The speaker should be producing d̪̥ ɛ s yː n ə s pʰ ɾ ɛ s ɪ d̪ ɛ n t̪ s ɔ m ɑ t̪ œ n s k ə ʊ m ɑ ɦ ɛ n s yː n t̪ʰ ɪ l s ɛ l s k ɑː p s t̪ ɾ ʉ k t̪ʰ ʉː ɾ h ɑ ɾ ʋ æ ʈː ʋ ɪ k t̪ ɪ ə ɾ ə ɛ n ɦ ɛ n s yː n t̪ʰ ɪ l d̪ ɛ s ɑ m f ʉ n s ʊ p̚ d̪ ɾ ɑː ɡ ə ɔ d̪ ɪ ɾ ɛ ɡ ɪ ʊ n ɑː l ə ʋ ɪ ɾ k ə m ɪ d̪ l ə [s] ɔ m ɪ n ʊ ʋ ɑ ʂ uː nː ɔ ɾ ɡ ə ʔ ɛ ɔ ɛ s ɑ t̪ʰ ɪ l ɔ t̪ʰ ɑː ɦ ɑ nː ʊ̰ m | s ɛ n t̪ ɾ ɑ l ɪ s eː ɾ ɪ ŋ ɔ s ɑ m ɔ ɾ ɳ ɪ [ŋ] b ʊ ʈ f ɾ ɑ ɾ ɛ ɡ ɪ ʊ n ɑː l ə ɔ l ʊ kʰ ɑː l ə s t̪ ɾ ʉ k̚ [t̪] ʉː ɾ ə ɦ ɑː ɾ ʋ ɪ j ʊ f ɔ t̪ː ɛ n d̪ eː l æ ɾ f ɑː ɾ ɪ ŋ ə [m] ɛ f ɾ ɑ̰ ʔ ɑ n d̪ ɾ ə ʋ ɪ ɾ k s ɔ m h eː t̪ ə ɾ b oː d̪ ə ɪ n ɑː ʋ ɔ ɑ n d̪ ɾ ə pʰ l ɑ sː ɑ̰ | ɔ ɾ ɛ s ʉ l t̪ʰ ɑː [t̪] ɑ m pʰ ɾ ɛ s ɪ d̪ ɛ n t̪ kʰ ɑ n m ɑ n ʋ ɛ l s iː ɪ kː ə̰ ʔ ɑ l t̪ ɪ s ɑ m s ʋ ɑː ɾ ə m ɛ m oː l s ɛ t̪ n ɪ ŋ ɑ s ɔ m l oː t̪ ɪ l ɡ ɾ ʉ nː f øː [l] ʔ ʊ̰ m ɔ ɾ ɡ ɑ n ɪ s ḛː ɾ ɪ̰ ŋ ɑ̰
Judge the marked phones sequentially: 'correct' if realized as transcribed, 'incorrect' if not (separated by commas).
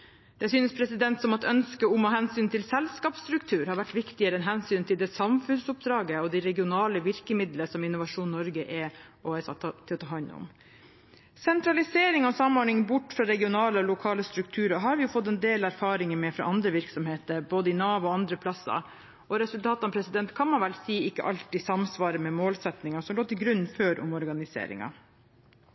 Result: correct, correct, incorrect, correct, correct, incorrect